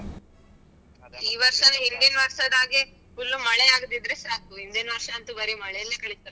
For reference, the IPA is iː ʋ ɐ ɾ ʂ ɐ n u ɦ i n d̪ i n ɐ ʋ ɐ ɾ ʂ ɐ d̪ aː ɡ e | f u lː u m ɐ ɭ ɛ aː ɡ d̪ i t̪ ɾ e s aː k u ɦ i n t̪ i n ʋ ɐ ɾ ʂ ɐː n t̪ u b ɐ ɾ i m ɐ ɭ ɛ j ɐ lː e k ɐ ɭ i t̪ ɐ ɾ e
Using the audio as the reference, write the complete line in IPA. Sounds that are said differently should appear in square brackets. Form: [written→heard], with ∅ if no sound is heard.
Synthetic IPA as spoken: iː ʋ ɐ ɾ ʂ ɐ n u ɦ i n d̪ i n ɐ ʋ ɐ ɾ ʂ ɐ d̪ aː ɡ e | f u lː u m ɐ ɭ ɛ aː ɡ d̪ i [t̪→d̪] ɾ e s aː k u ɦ i n [t̪→d̪] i n ʋ ɐ ɾ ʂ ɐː n t̪ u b ɐ ɾ i m ɐ ɭ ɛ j ɐ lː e k ɐ ɭ i t̪ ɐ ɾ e